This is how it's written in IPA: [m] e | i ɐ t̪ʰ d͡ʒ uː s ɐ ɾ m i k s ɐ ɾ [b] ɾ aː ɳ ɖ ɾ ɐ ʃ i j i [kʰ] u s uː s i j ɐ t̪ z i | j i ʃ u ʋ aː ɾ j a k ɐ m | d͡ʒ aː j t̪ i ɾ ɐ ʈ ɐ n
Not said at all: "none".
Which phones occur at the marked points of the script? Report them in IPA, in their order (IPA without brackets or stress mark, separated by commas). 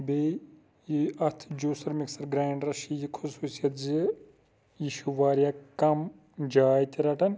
b, ɡ, kʰ